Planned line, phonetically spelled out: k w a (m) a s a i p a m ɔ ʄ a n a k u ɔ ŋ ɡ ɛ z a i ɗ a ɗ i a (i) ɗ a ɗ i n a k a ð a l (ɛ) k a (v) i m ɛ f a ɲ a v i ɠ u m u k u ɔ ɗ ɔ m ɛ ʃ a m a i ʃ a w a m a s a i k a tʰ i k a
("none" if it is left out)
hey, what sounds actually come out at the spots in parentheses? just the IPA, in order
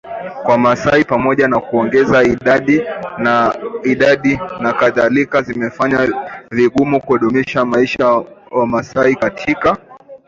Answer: m, i, i, z

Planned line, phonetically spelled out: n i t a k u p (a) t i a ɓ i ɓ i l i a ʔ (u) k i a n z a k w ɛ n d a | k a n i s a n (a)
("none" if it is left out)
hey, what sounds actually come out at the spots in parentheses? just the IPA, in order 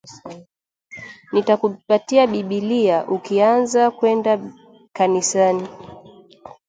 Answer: a, u, i

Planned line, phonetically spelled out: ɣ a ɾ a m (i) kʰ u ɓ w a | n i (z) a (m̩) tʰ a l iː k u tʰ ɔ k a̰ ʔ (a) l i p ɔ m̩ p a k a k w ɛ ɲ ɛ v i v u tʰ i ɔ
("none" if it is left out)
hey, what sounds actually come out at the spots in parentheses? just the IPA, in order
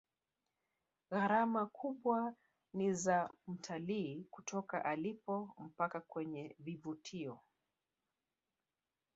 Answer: a, z, m̩, a

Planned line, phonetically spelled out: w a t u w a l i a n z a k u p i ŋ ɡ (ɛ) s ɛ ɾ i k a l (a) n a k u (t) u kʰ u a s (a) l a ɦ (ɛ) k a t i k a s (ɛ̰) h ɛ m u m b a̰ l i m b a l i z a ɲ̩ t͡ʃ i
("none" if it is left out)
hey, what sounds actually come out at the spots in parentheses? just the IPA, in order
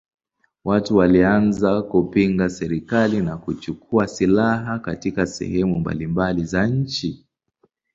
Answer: a, i, t͡ʃ, i, a, ɛ̰

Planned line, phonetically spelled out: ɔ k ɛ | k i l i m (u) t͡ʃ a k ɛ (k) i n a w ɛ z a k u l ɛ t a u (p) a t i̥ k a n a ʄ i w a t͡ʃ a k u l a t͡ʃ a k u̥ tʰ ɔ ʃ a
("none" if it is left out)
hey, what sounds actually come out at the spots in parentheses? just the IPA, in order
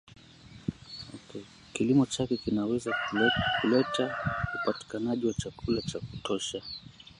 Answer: ɔ, k, p

